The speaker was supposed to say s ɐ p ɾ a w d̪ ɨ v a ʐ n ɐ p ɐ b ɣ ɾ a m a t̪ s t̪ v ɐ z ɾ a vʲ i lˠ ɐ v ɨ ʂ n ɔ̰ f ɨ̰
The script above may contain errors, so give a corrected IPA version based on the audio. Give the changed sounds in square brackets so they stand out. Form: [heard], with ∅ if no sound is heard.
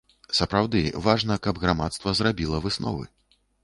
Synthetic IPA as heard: s ɐ p ɾ a w d̪ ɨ v a ʐ n ɐ [k] ɐ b ɣ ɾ a m a t̪ s t̪ v ɐ z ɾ a [bʲ] i lˠ ɐ v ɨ [s] n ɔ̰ [v] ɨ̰